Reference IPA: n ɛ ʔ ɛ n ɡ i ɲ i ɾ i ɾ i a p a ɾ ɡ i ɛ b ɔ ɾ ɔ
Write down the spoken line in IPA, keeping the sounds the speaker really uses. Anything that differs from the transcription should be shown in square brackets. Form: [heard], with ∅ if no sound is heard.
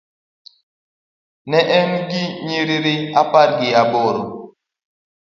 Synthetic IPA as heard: n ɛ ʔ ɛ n ɡ i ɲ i ɾ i ɾ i a p a ɾ ɡ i [a] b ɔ ɾ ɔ